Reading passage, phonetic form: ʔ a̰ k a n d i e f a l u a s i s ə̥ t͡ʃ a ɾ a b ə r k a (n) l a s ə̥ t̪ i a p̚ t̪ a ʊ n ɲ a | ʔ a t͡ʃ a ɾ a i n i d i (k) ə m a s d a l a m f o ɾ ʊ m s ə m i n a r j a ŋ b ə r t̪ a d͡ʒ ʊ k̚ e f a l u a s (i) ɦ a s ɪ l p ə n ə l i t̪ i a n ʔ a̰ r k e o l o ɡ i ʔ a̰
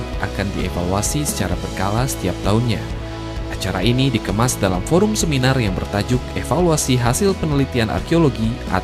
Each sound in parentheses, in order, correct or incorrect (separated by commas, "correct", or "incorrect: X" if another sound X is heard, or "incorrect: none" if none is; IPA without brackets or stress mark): incorrect: none, correct, correct